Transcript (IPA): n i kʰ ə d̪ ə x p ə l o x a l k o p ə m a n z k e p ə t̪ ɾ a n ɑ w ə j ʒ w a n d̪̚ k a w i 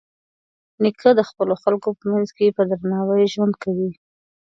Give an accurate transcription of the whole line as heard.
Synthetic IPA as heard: n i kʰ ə d̪ ə x p ə l o x a l k o p ə m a n z k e p ə d̪ ɾ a n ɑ w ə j ʒ w a n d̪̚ k a w i